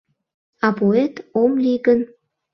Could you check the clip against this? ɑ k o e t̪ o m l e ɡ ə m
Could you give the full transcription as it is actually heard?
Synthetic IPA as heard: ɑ p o e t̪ o m l i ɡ ə n